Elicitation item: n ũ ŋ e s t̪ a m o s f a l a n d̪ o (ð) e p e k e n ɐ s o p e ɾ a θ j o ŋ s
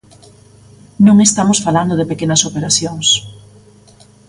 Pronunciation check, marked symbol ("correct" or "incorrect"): correct